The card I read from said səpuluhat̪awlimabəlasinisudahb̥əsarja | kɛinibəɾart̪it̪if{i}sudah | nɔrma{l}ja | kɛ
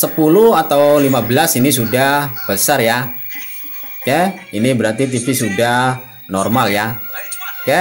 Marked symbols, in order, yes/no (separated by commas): yes, yes